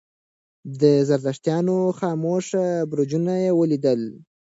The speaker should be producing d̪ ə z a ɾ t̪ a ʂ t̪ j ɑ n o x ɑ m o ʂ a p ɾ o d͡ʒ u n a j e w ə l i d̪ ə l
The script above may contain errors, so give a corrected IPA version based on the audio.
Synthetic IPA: d̪ ə z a ɾ d̪ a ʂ t̪ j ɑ n o x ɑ m o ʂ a b ɾ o d͡ʒ u n a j e w ə l i d̪ ə l